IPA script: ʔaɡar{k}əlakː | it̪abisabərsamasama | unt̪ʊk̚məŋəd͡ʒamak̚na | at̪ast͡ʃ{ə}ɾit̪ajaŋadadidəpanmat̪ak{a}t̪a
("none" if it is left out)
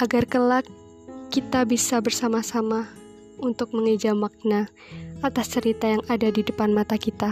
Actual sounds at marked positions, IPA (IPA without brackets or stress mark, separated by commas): k, ə, i